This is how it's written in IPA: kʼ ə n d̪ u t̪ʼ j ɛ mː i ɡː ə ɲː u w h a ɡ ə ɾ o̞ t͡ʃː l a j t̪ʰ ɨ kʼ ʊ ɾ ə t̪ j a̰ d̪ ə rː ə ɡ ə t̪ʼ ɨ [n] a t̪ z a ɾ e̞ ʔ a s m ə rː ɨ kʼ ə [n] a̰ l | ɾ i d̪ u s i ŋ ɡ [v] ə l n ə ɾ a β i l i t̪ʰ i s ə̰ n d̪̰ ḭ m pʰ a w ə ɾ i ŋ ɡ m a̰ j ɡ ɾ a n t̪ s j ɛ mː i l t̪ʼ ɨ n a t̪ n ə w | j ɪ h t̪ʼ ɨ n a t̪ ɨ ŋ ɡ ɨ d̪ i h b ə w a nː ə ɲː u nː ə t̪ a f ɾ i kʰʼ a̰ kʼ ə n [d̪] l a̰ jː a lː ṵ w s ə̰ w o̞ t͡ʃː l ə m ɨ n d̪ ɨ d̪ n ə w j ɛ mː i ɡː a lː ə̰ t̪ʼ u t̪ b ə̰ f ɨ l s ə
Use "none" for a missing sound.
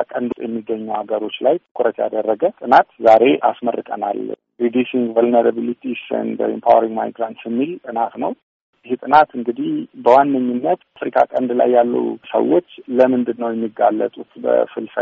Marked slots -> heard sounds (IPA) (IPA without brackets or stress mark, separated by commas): n, n, v, d̪